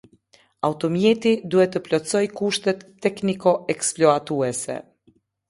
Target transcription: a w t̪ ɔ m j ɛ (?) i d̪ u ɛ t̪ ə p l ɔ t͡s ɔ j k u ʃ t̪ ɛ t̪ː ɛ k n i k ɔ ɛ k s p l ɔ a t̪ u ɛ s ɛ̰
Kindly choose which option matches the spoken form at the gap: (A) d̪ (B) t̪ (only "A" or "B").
B